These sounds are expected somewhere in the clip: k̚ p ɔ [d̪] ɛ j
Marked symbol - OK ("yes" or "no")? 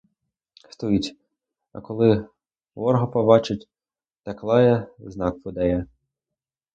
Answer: yes